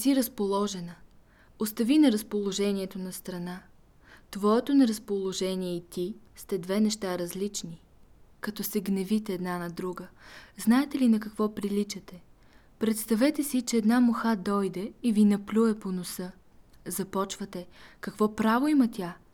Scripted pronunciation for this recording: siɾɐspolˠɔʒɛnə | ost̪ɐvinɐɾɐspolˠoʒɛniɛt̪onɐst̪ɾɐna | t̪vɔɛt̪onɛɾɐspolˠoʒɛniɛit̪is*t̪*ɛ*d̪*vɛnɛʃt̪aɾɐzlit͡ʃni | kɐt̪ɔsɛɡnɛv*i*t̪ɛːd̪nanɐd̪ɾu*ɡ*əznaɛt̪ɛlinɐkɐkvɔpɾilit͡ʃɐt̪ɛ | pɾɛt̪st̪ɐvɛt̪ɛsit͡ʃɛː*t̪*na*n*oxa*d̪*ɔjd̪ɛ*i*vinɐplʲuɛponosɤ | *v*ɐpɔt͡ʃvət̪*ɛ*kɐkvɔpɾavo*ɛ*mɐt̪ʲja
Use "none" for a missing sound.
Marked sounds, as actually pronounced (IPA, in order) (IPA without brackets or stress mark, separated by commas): t̪, d̪, i, ɡ, d̪, m, d̪, i, z, ɛ, i